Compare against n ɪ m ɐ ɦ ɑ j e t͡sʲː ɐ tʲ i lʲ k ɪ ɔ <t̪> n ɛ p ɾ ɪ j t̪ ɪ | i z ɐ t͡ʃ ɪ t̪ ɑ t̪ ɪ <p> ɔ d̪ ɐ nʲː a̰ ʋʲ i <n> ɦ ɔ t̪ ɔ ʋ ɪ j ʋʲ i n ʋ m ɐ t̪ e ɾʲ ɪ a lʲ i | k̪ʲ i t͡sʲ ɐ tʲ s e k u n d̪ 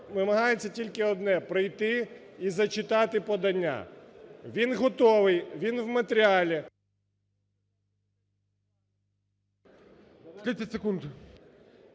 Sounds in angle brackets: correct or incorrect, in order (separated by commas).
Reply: incorrect, correct, correct